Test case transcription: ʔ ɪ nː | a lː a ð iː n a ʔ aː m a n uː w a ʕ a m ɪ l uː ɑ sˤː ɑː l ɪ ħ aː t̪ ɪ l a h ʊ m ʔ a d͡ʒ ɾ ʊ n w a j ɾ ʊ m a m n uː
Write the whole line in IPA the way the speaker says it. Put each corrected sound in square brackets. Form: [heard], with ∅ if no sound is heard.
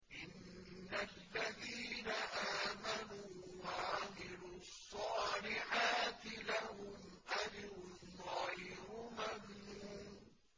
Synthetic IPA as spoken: ʔ ɪ nː | a lː a ð iː n a ʔ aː m a n uː w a ʕ a m ɪ l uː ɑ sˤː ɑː l ɪ ħ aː t̪ ɪ l a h ʊ m ʔ a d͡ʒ ɾ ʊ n [ɣ] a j ɾ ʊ m a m n uː